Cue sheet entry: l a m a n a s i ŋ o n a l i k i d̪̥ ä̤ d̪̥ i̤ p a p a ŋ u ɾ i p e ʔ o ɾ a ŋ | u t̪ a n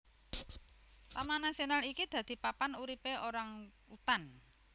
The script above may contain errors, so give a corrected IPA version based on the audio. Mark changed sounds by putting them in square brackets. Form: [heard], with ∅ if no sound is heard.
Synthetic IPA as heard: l a m a n a s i [∅] o n a l i k i d̪̥ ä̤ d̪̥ i̤ p a p a [n] u ɾ i p e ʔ o ɾ a ŋ | u t̪ a n